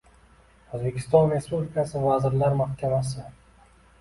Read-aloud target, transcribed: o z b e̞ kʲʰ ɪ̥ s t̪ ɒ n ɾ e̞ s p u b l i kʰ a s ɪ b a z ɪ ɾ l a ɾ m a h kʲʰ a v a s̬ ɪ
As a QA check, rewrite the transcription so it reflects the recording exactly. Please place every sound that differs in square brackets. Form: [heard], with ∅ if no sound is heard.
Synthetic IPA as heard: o z b e̞ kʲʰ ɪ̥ s t̪ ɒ n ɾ e̞ s p u b l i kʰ a s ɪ [v] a z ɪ ɾ l a ɾ m a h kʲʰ a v a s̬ ɪ